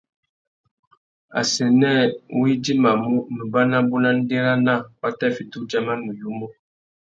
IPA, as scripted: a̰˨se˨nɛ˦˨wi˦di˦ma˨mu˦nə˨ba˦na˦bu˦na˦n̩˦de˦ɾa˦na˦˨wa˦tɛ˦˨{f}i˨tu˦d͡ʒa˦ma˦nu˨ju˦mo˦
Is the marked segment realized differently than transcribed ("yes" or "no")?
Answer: no